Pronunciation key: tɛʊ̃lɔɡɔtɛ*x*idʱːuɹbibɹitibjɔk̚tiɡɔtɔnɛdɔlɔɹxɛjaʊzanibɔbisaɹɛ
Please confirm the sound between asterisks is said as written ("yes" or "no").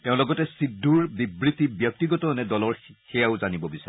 no